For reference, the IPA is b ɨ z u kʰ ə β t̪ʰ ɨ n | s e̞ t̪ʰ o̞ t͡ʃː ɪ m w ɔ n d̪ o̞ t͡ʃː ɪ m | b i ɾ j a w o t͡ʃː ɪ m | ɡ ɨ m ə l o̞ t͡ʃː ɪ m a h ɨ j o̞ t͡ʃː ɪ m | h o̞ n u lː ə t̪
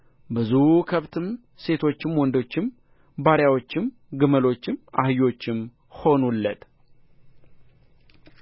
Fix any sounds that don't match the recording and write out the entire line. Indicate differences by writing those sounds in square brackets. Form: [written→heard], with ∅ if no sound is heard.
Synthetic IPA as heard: b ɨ z u kʰ ə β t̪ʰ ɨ [n→m] | s e̞ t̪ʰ o̞ t͡ʃː ɪ m w ɔ n d̪ o̞ t͡ʃː ɪ m | b [i→a] ɾ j a w o t͡ʃː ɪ m | ɡ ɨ m ə l o̞ t͡ʃː ɪ m a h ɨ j o̞ t͡ʃː ɪ m | h o̞ n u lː ə t̪